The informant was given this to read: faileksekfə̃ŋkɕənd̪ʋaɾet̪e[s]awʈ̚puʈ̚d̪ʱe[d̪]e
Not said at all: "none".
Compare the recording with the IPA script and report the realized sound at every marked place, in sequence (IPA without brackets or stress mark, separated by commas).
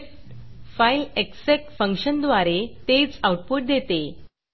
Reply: t͡s, t̪